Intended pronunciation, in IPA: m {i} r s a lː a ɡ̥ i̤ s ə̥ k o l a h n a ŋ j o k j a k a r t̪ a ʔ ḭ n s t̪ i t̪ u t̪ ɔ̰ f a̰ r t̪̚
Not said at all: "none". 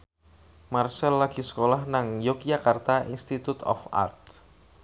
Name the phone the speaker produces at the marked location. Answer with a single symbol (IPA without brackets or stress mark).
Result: a